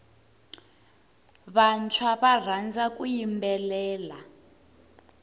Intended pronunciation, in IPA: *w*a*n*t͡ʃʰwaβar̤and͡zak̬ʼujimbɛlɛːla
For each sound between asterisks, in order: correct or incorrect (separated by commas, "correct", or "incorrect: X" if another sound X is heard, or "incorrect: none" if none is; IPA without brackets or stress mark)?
incorrect: β, correct